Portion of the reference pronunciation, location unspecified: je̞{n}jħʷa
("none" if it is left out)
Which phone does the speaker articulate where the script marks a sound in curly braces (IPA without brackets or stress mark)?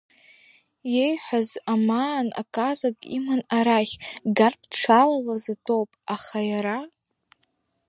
none